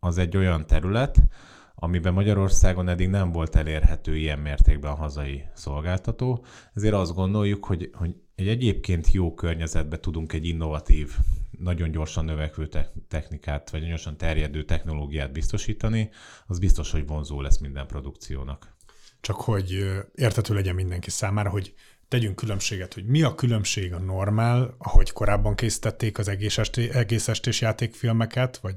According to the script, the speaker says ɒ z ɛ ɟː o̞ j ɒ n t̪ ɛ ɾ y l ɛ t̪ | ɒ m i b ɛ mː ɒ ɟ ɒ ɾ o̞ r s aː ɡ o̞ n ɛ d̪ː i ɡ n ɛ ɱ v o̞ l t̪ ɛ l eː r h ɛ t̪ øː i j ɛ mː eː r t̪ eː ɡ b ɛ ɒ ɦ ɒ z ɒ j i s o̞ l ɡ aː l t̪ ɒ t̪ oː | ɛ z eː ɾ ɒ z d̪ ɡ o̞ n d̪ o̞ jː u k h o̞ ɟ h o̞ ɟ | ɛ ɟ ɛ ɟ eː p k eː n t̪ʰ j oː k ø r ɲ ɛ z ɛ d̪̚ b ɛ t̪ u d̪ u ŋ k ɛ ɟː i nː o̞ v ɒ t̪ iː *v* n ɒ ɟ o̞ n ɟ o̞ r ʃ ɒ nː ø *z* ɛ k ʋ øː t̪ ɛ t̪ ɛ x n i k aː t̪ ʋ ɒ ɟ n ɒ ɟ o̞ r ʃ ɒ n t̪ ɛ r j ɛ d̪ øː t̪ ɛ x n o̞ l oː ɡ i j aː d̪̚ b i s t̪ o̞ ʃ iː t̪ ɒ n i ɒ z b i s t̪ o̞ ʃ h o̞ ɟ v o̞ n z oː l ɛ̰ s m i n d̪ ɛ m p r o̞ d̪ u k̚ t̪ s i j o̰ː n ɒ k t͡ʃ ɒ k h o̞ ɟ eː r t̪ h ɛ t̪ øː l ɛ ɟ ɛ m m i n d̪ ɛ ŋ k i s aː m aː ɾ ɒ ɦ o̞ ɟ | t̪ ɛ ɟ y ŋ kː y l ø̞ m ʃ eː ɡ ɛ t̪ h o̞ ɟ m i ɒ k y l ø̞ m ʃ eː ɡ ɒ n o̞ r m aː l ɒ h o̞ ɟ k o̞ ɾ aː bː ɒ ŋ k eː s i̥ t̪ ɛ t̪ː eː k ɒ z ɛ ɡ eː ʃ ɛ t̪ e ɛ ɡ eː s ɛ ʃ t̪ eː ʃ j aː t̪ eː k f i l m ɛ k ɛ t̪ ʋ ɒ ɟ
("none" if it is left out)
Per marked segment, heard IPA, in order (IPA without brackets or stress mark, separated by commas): v, v